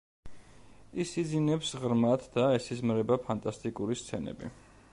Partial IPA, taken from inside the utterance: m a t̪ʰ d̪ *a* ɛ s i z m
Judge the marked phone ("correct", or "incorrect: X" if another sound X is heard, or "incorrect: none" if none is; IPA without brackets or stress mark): correct